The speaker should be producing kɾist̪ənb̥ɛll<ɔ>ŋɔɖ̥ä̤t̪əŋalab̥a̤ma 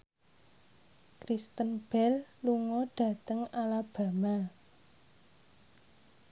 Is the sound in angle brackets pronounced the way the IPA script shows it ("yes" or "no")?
no